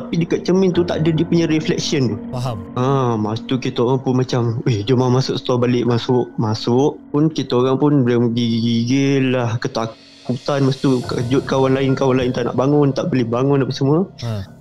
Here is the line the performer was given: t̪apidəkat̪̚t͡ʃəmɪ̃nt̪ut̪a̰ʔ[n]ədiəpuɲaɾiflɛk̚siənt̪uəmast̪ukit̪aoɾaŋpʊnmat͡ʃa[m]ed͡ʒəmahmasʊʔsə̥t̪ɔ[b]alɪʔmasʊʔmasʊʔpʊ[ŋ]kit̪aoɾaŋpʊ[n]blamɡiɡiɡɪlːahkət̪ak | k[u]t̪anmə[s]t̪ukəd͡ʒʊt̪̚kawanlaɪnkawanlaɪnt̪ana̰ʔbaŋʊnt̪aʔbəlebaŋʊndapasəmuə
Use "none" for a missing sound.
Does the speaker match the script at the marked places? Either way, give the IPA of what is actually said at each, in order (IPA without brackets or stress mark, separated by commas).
d, m, b, n, n, u, s